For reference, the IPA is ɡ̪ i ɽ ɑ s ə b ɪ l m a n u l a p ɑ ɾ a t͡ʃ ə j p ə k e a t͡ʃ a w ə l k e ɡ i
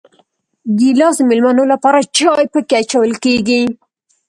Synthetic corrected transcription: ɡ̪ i l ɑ s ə m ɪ l m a n o l a p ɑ ɾ a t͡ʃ ɑ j p ə k e a t͡ʃ a w ə l k e ɡ i